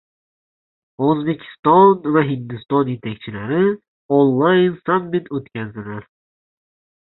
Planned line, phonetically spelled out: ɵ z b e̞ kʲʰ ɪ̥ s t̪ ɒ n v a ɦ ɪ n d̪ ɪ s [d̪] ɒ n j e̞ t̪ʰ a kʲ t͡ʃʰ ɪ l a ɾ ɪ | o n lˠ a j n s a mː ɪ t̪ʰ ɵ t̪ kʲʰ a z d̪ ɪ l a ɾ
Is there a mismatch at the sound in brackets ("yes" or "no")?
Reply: yes